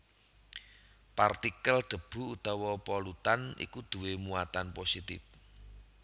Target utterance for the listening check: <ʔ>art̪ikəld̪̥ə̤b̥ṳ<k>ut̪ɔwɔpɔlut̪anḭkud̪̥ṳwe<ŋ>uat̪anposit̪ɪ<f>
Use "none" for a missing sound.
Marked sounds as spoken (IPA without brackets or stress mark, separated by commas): p, none, m, f